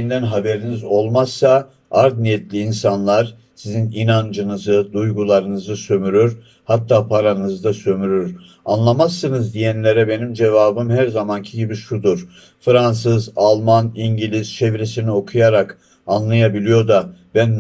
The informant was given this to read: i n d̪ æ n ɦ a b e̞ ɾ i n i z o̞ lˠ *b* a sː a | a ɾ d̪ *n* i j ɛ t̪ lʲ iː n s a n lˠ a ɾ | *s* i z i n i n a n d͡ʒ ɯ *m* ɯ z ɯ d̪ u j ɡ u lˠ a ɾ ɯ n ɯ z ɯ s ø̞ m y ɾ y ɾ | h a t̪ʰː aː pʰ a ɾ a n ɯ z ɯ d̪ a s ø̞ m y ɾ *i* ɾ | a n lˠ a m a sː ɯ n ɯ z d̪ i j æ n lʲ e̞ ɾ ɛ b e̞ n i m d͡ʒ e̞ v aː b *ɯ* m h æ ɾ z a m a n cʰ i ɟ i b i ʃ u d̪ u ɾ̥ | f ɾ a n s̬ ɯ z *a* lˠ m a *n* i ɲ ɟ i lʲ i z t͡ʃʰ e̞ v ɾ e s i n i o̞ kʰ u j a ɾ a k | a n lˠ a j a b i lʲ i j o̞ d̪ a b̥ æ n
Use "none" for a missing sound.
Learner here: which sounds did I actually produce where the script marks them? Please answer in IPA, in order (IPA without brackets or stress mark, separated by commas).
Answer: m, n, s, n, y, ɯ, a, n